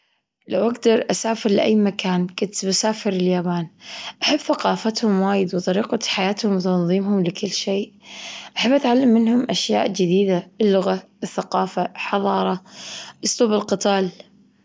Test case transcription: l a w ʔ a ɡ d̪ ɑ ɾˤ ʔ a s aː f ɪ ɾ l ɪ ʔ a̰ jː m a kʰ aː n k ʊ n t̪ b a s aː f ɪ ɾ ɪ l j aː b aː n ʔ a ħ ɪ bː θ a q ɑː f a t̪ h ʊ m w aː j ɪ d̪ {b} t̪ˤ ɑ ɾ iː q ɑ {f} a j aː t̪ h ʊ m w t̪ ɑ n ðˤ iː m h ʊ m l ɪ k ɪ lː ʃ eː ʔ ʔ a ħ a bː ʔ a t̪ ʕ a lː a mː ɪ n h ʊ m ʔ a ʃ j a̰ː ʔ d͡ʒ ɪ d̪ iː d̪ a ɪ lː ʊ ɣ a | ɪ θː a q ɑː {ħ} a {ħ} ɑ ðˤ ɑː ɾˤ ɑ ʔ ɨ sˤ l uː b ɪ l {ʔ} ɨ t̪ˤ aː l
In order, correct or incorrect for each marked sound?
incorrect: w, incorrect: ħ, incorrect: f, correct, incorrect: q

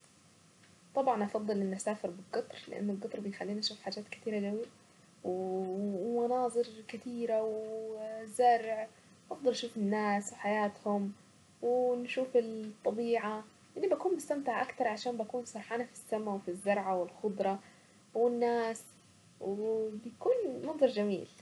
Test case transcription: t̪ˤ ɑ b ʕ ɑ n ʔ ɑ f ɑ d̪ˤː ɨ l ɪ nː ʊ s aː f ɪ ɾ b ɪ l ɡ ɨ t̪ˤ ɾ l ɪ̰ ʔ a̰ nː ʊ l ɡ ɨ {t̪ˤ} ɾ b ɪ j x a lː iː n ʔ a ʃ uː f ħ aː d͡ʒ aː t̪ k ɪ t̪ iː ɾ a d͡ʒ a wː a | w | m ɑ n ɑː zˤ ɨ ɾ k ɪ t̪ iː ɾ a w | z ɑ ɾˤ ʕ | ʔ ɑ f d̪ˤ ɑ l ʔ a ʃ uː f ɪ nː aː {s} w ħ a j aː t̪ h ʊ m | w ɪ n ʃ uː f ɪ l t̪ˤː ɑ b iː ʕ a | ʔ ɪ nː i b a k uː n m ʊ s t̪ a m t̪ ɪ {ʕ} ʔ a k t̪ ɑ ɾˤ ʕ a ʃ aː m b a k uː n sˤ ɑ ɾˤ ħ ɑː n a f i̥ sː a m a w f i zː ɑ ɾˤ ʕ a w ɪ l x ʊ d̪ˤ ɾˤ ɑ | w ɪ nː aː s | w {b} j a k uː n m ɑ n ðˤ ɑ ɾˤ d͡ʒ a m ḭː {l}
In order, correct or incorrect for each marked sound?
correct, correct, correct, correct, correct

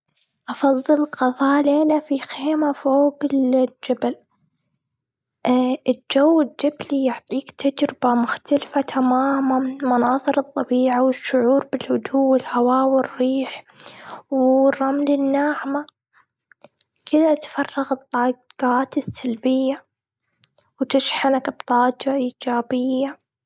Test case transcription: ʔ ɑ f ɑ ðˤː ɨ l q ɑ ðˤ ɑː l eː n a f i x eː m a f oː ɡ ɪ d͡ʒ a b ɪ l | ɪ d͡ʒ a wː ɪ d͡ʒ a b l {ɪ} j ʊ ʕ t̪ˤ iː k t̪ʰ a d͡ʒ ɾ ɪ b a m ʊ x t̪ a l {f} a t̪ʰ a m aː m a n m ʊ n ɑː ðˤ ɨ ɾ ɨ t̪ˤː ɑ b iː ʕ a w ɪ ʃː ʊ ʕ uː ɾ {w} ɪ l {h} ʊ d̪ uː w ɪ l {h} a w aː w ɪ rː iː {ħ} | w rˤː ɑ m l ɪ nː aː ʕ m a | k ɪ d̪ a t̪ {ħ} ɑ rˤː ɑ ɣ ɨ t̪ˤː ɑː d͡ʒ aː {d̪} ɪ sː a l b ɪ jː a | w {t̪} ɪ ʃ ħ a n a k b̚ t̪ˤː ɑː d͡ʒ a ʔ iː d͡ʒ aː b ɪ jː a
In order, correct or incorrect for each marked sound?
incorrect: i, correct, incorrect: b, correct, correct, correct, incorrect: f, incorrect: t̪, correct

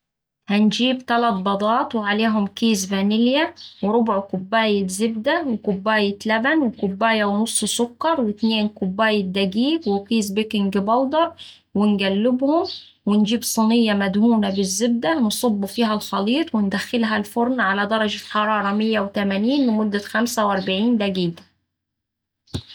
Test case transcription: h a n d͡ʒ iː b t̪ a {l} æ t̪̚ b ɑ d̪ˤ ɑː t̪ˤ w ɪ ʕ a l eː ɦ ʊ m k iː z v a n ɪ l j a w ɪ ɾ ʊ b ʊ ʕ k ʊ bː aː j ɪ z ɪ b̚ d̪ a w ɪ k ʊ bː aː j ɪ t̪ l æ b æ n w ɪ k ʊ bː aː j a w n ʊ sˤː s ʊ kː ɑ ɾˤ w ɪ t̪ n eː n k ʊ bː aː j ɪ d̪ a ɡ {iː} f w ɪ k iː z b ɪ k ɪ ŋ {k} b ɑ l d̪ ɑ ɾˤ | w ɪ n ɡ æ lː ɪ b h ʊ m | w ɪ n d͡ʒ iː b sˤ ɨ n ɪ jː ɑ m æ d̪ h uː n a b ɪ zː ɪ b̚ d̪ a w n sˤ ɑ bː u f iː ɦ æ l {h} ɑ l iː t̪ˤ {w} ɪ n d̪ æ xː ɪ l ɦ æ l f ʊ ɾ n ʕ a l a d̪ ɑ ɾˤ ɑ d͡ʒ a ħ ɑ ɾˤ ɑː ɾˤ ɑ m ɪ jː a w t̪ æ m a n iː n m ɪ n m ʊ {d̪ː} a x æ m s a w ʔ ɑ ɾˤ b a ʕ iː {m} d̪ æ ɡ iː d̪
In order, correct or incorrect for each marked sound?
correct, correct, incorrect: ɡ, incorrect: x, correct, correct, incorrect: n

